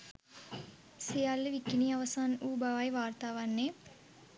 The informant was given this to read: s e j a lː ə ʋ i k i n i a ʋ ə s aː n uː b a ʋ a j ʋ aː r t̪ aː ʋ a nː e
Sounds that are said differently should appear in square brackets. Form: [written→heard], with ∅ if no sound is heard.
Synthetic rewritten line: s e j a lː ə ʋ i k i n i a ʋ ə s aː n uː b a ʋ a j ʋ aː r t̪ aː ʋ a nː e